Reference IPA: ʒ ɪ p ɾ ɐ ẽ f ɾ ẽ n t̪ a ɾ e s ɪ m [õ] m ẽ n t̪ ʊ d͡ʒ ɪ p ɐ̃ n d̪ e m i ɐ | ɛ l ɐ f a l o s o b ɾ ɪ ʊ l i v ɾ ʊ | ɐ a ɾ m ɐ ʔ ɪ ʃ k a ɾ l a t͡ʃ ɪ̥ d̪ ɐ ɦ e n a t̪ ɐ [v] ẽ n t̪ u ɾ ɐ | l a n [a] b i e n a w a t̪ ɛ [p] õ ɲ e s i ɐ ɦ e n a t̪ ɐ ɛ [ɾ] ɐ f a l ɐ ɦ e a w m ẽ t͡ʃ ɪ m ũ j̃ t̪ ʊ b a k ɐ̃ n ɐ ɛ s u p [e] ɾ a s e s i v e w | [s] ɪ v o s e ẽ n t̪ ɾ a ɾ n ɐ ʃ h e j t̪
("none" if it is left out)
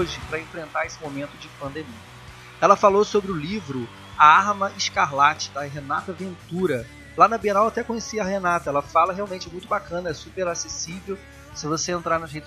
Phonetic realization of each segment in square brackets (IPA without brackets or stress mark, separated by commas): o, v, ɐ, k, l, e, s